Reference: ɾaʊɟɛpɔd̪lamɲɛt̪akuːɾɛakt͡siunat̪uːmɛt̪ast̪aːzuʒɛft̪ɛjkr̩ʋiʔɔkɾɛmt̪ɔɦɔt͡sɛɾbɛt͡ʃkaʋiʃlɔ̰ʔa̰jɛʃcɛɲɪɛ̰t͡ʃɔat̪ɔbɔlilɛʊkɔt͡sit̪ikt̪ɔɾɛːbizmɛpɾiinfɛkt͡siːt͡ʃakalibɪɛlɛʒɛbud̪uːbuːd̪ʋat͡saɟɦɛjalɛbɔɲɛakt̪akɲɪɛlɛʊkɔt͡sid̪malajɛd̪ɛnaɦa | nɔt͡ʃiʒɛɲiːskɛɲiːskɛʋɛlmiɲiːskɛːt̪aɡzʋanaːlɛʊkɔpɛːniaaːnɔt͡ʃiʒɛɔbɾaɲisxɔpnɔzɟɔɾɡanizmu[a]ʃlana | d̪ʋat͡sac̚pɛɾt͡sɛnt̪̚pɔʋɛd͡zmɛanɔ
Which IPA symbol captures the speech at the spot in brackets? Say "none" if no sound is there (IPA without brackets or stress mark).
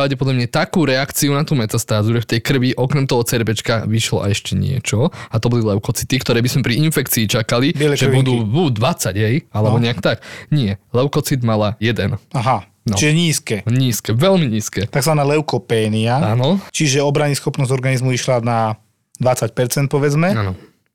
i